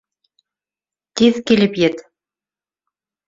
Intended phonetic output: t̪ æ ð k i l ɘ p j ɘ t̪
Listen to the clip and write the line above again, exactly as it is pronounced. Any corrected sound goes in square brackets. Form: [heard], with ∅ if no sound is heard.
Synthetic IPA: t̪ [i] ð k i l ɘ p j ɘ t̪